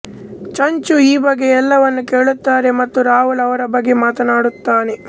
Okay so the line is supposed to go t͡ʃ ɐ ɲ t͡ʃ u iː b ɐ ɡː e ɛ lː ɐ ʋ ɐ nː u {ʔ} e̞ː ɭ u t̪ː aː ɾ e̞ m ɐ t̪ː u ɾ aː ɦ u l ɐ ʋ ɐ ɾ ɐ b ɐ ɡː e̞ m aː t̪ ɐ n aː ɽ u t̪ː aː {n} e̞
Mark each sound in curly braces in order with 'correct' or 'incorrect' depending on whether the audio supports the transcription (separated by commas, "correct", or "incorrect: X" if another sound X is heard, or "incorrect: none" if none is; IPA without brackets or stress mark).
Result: incorrect: k, correct